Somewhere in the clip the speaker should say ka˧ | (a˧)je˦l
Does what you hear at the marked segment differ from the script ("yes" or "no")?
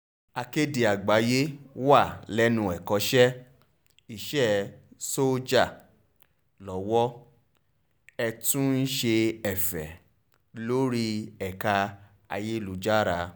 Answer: no